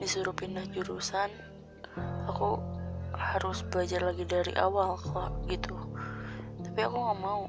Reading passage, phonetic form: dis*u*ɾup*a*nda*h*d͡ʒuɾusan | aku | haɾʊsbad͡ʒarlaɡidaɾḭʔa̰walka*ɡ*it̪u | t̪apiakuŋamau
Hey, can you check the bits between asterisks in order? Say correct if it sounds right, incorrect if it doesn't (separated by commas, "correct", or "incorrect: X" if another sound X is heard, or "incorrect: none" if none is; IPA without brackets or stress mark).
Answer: correct, incorrect: i, correct, correct